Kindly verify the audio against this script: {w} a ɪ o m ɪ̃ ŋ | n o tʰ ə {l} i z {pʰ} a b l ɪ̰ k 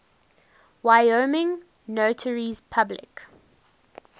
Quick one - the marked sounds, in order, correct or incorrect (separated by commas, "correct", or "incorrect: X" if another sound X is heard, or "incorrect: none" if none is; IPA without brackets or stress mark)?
correct, incorrect: ɹ, correct